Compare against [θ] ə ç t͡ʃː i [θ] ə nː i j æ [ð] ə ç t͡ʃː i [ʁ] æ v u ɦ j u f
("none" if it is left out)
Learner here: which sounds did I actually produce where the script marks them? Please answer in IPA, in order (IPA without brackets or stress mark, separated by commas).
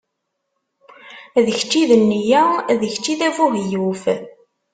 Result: ð, ð, ð, ð